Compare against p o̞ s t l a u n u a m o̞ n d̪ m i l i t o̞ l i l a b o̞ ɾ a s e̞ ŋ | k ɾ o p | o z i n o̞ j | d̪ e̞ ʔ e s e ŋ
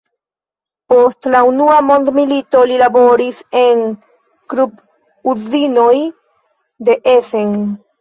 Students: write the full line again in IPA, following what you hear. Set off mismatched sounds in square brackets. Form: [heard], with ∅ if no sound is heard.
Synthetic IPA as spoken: p o̞ s t l a u n u a m o̞ n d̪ m i l i t o̞ l i l a b o̞ ɾ [i] s e̞ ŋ | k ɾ [u] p | [u] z i n o̞ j | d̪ e̞ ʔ e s e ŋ